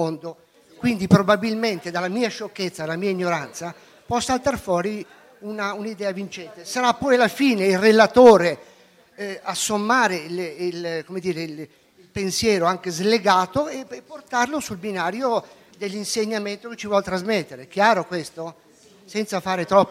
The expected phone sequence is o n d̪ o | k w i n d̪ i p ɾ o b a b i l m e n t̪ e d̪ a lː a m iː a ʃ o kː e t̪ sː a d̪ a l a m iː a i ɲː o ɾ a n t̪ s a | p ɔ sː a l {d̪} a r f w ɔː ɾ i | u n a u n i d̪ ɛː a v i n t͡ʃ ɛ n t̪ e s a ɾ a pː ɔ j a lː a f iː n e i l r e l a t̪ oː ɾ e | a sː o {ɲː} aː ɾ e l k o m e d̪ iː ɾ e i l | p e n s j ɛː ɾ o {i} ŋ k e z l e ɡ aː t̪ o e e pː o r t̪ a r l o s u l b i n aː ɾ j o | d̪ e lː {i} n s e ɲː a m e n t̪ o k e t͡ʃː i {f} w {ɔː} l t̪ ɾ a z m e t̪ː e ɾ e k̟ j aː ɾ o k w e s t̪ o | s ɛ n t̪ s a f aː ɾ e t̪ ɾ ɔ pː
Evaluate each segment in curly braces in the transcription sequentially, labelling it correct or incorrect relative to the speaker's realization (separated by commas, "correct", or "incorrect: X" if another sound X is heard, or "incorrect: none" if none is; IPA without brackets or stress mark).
incorrect: t̪, incorrect: mː, incorrect: a, correct, incorrect: v, incorrect: ɔ